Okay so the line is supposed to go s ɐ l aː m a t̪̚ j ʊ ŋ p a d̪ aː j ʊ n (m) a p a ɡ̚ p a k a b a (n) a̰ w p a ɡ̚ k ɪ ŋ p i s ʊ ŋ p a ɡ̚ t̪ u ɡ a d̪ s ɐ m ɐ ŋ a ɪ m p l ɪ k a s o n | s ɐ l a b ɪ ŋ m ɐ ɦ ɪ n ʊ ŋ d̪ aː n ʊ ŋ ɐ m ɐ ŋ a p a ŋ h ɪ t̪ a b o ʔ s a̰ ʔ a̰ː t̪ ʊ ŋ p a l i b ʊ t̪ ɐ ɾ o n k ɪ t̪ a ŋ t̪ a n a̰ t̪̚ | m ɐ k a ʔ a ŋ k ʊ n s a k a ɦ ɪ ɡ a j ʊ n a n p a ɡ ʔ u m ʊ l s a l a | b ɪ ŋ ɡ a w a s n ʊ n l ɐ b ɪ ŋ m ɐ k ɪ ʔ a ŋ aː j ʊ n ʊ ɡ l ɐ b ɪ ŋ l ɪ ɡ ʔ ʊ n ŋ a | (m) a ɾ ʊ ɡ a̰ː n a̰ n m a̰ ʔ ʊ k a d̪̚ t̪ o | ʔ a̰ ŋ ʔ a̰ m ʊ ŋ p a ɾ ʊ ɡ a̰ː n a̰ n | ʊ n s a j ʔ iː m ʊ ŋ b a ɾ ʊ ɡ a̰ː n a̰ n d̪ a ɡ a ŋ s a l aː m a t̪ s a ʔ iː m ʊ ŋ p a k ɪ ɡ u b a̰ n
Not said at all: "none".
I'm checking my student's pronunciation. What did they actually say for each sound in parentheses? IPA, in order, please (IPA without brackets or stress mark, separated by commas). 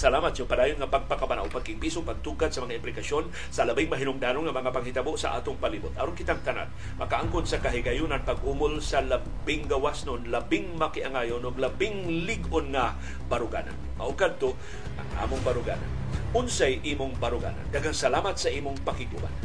ŋ, n, b